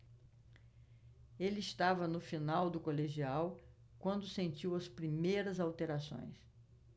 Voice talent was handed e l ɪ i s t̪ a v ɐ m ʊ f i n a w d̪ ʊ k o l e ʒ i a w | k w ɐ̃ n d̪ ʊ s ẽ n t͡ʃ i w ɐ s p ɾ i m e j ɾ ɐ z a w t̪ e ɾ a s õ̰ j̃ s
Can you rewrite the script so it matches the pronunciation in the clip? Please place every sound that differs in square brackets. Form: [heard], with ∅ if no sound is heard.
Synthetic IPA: e l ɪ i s t̪ a v ɐ [n] ʊ f i n a w d̪ ʊ k o l e ʒ i a w | k w ɐ̃ n d̪ ʊ s ẽ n t͡ʃ i w ɐ s p ɾ i m e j ɾ ɐ z a w t̪ e ɾ a s õ̰ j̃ s